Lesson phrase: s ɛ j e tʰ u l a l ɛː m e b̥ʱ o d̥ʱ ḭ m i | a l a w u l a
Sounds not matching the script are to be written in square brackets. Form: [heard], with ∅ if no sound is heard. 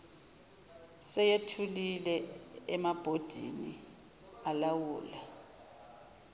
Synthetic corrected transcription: s ɛ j e tʰ u l [i] l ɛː m [a] b̥ʱ o d̥ʱ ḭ [n] i | a l a w [uː] l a